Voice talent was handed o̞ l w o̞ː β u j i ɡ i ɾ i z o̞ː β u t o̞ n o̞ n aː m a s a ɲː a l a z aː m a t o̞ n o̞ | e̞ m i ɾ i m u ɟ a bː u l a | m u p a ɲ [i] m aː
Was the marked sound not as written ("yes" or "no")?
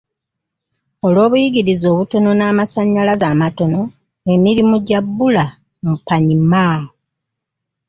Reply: no